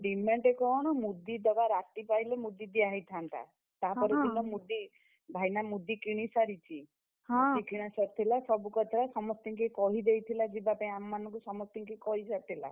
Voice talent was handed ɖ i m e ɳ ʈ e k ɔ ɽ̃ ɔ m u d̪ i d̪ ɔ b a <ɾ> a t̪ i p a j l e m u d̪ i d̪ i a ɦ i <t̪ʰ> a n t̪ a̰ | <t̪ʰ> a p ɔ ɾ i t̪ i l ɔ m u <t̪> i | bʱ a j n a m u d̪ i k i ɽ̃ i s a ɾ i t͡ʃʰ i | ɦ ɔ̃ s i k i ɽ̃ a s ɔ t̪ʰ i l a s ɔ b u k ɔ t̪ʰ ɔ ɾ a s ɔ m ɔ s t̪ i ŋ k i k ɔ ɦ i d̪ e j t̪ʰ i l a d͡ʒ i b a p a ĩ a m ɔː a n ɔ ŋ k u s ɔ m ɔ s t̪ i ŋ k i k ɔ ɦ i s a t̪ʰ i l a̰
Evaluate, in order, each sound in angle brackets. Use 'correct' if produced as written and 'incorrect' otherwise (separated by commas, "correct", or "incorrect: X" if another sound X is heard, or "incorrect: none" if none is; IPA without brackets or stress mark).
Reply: correct, correct, incorrect: t̪, incorrect: d̪